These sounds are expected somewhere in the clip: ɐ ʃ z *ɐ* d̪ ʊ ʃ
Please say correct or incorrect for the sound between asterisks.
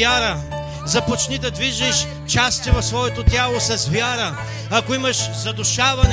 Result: correct